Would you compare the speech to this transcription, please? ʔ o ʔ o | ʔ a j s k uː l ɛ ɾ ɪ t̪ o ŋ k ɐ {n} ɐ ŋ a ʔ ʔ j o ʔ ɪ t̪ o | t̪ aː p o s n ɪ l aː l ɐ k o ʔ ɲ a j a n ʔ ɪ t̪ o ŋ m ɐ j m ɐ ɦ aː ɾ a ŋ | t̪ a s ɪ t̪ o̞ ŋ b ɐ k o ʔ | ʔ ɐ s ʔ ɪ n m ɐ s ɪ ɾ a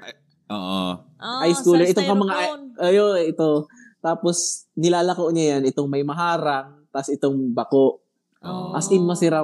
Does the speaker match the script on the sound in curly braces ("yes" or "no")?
no